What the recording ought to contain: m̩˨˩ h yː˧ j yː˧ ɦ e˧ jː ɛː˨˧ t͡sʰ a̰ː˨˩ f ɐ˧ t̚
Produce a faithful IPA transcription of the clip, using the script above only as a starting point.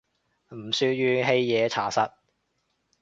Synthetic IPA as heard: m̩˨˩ s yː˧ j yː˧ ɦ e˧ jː ɛː˨˧ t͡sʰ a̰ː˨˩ s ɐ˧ t̚